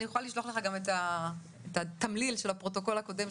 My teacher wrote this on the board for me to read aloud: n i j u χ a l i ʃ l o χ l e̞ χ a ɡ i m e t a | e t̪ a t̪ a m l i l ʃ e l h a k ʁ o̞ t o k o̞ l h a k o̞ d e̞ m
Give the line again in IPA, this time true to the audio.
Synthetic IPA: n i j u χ a l i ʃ l o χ l e̞ χ a ɡ a m e t a | e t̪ a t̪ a m l i l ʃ e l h a p ʁ o̞ t o k o̞ l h a k o̞ d e̞ m